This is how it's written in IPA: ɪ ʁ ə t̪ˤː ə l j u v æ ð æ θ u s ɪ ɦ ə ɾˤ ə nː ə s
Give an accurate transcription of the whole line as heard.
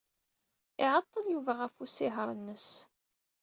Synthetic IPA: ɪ ʕ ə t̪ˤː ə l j u v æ ʁ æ f u s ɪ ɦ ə ɾˤ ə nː ə s